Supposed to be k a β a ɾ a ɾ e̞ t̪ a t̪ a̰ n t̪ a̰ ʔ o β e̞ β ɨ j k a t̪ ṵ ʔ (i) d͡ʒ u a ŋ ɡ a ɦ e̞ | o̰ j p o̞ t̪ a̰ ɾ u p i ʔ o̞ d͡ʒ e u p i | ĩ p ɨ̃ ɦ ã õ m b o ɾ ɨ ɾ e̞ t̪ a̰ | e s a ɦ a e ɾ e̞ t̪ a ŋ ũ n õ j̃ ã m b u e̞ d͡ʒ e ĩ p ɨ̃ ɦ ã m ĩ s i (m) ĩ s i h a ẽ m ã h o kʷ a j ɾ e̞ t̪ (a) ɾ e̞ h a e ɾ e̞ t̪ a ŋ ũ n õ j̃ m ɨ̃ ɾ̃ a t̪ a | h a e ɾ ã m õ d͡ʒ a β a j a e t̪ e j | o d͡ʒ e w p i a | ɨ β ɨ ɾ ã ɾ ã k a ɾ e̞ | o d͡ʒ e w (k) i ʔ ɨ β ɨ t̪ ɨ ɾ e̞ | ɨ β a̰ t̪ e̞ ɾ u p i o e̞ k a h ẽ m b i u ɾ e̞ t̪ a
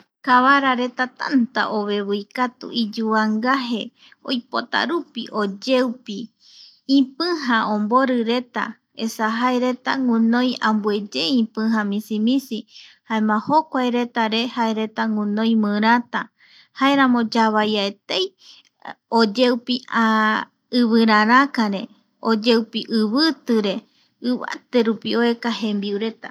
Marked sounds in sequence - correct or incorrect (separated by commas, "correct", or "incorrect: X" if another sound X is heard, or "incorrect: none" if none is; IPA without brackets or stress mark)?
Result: correct, correct, correct, incorrect: p